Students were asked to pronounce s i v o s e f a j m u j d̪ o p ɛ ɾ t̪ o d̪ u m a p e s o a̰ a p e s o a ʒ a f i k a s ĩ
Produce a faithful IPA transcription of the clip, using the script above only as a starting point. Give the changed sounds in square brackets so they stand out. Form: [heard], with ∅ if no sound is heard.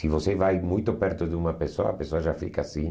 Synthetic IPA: s i v o s e [v] a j m u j [t̪] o p ɛ ɾ t̪ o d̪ u m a p e s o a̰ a p e s o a ʒ a f i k a s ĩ